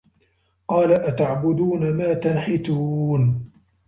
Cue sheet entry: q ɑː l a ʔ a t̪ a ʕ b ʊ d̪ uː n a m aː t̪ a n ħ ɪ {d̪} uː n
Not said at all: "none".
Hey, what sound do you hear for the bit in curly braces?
t̪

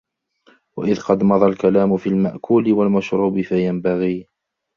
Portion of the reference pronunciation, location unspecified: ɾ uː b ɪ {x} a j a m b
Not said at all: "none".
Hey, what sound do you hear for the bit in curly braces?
f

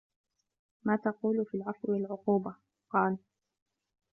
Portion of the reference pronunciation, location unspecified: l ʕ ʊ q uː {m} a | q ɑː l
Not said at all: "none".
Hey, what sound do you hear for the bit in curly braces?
b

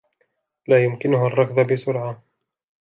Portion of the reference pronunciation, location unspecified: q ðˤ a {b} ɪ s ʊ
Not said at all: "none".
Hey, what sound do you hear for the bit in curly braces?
b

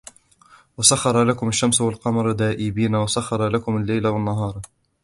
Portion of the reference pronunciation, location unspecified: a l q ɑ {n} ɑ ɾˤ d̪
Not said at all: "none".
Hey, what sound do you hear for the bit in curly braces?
m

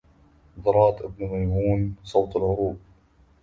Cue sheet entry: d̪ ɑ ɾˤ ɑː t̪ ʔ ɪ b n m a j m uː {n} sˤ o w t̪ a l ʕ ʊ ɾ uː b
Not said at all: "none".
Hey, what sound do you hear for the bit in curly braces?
n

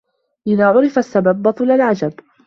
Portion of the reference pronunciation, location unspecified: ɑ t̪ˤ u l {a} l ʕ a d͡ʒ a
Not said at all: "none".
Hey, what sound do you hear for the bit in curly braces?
a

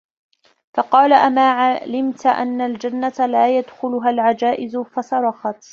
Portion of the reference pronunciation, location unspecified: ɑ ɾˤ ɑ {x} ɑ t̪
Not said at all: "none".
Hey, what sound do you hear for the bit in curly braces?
x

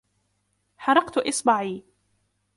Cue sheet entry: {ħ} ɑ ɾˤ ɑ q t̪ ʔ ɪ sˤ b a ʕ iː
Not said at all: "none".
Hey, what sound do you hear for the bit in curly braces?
ħ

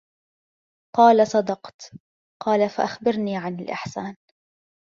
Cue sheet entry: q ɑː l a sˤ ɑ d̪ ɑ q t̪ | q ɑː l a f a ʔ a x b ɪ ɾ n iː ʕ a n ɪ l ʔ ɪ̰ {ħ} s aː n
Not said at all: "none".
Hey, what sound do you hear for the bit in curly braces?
ħ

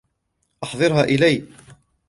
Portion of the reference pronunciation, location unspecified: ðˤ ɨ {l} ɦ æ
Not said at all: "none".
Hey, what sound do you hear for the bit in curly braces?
ɾ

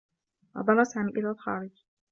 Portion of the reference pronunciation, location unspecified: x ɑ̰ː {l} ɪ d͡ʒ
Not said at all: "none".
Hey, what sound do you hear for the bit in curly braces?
ɾ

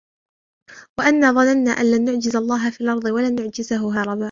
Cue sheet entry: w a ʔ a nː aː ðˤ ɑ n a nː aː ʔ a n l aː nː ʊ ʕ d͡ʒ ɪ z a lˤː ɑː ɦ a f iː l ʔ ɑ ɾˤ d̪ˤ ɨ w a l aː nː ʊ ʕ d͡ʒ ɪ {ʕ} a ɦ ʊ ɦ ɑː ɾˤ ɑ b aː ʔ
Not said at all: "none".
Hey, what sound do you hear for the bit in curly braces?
z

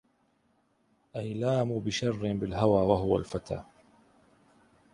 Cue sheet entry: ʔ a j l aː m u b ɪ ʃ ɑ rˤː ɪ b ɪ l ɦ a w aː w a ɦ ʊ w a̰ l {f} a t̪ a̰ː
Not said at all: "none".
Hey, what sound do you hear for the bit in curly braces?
f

